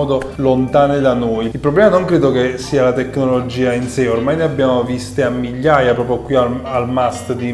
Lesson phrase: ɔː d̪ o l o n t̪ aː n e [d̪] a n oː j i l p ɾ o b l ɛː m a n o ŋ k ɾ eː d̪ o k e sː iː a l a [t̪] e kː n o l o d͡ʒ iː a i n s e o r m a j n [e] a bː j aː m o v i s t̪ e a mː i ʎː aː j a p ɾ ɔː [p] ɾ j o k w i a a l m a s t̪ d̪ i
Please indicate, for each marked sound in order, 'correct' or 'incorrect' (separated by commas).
correct, correct, correct, correct